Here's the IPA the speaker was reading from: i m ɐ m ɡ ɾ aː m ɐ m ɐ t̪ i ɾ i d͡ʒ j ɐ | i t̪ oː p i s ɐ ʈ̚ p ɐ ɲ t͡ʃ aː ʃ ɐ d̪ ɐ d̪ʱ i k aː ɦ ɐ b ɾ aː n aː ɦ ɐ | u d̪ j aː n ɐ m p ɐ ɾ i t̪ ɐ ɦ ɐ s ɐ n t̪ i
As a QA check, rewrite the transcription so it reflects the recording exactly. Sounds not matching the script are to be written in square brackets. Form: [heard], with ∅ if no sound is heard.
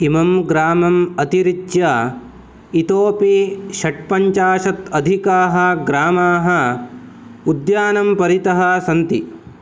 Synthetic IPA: i m ɐ m ɡ ɾ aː m ɐ m ɐ t̪ i ɾ i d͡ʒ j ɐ | i t̪ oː p i [ʃ] ɐ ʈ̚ p ɐ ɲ t͡ʃ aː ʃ ɐ [t̪] ɐ d̪ʱ i k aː ɦ ɐ [ɡ] ɾ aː [m] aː ɦ ɐ | u d̪ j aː n ɐ m p ɐ ɾ i t̪ ɐ ɦ ɐ s ɐ n t̪ i